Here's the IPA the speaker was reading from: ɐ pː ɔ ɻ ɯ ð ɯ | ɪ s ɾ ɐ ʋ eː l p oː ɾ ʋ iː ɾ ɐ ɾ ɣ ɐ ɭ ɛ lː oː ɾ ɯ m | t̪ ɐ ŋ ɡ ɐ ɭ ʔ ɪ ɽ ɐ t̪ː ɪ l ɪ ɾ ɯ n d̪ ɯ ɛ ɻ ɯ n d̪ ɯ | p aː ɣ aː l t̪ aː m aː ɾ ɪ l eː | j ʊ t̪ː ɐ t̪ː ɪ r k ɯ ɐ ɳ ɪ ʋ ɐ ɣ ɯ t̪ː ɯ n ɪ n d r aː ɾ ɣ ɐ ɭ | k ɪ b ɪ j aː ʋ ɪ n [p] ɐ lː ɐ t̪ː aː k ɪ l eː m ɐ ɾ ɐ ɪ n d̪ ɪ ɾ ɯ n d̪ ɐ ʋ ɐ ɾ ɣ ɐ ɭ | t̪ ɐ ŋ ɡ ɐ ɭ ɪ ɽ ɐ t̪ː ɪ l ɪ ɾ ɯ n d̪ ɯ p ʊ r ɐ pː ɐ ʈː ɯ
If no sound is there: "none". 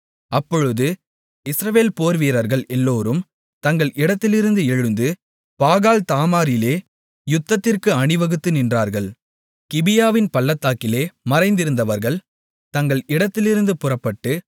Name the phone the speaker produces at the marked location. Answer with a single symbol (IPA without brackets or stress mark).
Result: p